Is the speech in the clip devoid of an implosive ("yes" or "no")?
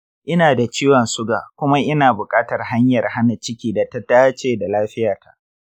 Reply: yes